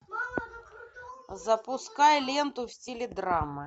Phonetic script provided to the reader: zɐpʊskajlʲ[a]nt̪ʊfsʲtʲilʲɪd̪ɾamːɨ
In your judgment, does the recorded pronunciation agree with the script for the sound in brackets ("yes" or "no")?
no